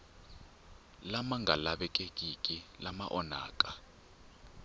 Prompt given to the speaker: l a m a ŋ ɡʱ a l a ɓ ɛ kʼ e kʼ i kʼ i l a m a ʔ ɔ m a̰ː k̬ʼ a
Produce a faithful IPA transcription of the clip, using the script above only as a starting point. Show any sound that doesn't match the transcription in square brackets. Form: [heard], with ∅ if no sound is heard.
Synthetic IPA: l a m a ŋ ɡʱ a l a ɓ ɛ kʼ e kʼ i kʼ i l a m a ʔ ɔ [n] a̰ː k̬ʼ a